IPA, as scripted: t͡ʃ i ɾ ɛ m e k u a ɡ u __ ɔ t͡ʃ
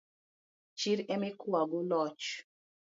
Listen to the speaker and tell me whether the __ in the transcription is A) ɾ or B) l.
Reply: B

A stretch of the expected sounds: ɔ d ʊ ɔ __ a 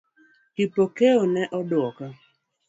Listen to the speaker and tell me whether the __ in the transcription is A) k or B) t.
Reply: A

